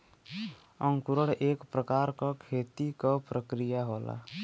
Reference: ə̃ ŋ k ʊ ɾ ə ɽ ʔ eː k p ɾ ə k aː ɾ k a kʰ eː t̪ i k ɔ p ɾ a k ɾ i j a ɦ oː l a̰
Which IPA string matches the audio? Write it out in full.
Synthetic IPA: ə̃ ŋ k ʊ ɾ ə ɽ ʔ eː k p ɾ ə k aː ɾ k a kʰ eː t̪ i k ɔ p ɾ ə k ɾ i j a ɦ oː l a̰